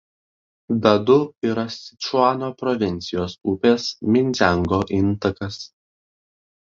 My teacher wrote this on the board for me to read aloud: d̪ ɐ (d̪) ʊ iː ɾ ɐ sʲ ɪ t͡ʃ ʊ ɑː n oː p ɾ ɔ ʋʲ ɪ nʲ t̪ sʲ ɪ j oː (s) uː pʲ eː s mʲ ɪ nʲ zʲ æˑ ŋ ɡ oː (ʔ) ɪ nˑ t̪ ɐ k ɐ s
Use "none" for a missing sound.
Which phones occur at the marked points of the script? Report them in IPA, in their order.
d̪, s, ʔ

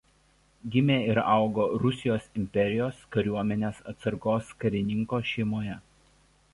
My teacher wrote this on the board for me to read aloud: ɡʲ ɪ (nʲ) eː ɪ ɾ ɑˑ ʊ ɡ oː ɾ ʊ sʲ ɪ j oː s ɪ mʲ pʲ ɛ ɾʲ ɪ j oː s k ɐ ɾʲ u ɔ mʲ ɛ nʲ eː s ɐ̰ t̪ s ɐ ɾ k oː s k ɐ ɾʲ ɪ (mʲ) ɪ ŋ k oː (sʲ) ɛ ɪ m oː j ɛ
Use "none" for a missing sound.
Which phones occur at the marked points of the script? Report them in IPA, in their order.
mʲ, nʲ, ʃʲ

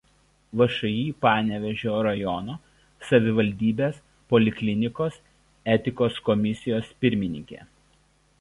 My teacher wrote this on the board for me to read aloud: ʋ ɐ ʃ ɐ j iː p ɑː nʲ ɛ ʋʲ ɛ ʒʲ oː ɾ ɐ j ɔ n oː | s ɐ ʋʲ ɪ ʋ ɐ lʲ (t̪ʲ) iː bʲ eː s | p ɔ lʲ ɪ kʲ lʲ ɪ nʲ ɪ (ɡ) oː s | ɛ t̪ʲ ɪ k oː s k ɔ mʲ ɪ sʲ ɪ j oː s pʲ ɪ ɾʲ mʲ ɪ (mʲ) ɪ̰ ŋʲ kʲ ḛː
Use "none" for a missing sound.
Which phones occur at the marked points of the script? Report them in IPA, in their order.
d̪ʲ, k, nʲ

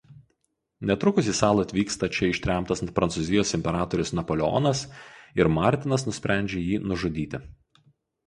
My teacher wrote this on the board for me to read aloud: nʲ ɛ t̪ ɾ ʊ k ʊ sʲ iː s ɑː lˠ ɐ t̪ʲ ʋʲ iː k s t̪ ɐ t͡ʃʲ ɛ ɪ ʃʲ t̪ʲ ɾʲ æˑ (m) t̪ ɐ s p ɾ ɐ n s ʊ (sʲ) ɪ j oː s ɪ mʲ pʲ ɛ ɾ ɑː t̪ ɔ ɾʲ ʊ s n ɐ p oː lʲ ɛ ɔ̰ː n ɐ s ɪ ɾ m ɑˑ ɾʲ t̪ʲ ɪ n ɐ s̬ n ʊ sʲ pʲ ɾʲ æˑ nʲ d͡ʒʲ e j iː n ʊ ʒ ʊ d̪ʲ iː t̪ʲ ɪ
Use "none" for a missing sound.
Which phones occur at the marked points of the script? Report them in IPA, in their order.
m, zʲ

